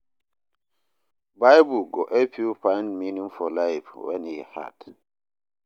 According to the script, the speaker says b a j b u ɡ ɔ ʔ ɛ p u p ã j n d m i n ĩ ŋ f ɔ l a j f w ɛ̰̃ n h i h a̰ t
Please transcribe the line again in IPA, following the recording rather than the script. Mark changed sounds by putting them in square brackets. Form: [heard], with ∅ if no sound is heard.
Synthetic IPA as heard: b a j b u ɡ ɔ ʔ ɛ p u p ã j n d m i n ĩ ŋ f ɔ l a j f w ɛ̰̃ n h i h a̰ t